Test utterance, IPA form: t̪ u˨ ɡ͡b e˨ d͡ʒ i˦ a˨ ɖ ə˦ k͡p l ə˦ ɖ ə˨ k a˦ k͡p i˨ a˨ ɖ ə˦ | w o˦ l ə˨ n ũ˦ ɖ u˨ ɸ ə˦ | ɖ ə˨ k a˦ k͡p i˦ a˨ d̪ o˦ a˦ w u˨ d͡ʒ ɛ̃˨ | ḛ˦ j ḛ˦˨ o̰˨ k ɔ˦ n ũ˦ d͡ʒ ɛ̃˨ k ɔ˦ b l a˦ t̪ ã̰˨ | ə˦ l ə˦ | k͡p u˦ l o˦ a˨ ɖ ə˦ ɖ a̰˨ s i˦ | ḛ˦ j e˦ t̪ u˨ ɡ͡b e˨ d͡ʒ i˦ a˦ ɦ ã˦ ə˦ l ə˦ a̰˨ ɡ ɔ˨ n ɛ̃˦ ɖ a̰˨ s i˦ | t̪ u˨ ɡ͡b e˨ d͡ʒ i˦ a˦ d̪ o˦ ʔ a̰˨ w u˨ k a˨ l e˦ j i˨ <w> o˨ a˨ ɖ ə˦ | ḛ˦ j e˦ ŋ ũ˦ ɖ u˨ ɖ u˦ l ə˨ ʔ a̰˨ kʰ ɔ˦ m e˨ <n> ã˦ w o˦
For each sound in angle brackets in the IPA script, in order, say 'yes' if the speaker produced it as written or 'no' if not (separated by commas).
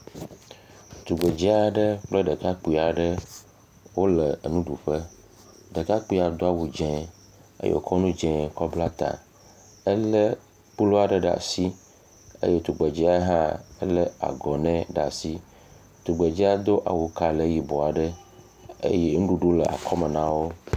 no, yes